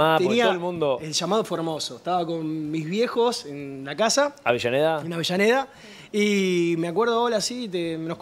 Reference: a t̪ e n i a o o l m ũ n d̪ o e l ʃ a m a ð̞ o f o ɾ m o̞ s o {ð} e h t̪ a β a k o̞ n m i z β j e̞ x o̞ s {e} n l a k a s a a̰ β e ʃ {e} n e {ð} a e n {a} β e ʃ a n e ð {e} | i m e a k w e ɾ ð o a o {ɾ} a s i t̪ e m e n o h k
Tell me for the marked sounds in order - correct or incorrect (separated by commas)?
incorrect, correct, incorrect, correct, correct, incorrect, incorrect